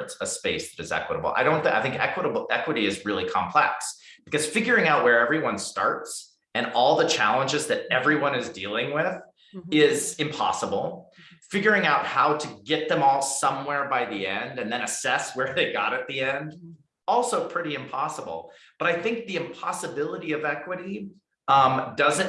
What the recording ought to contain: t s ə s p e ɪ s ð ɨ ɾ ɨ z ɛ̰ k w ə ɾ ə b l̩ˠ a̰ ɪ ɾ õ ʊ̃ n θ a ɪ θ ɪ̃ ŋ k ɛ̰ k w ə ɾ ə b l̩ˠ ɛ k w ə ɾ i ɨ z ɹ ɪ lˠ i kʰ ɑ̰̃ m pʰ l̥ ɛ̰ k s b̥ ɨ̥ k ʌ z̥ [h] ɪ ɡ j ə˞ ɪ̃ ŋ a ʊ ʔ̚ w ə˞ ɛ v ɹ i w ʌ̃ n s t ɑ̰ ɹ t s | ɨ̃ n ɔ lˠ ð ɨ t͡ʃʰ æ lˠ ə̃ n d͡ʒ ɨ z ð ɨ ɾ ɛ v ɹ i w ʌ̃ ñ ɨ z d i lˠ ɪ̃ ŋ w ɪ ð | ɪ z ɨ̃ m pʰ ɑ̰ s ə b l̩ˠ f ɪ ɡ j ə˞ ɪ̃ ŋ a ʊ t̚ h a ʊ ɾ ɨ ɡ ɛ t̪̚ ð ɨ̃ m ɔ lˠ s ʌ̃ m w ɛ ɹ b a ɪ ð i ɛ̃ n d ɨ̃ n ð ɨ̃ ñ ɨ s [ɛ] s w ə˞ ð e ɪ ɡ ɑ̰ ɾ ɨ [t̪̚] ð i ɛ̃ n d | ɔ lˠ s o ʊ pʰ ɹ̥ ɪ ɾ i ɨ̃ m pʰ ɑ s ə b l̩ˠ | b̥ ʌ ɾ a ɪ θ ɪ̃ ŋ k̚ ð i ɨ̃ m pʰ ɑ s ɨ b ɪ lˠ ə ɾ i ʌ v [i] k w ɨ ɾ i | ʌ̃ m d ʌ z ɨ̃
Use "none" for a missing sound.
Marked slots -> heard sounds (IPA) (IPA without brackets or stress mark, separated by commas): f, ɛ, t̪̚, ɛ